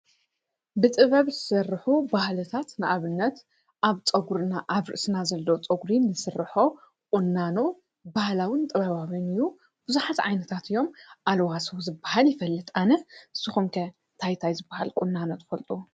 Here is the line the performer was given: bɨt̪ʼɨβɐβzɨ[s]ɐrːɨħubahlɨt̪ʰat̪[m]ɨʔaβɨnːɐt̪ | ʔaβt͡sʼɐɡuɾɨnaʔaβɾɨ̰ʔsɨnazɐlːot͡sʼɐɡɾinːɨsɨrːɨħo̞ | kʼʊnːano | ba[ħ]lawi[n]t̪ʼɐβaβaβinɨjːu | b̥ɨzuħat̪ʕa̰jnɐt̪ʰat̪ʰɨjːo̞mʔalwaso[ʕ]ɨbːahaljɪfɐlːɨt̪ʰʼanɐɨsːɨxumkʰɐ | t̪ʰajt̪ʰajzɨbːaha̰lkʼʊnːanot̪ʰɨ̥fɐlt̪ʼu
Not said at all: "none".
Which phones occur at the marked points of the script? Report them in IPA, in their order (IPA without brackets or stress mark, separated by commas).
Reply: s, n, h, n, z